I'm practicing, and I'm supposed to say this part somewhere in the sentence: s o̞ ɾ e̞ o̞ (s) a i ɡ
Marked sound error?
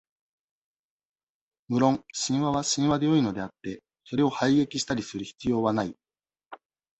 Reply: yes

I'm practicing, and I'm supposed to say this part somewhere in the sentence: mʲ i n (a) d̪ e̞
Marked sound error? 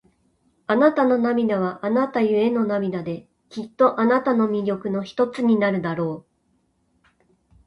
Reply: no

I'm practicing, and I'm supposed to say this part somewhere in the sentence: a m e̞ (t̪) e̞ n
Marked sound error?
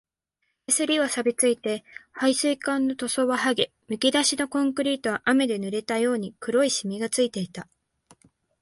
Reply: yes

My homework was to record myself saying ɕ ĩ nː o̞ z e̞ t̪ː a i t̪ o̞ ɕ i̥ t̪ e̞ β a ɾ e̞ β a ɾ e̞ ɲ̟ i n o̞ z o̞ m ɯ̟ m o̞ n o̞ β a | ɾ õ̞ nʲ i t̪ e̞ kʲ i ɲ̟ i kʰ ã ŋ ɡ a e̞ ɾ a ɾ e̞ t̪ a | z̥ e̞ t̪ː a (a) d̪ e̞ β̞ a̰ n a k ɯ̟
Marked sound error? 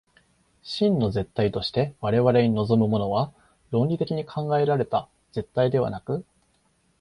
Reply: yes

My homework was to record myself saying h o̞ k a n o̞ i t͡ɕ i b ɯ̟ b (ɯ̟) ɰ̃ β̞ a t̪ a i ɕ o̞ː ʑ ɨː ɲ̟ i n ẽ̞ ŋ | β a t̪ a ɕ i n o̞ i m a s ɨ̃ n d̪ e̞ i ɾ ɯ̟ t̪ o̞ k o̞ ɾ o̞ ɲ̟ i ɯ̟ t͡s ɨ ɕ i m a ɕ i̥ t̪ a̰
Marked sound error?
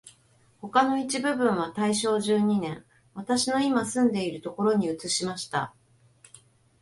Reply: yes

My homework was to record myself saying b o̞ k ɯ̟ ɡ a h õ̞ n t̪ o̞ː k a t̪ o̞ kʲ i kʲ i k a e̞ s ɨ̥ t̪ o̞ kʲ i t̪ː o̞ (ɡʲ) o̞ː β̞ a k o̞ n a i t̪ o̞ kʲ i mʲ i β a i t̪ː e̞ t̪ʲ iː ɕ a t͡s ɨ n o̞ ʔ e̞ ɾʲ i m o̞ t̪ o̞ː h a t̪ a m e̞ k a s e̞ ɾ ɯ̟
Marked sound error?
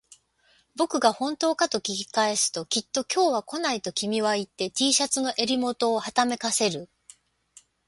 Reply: yes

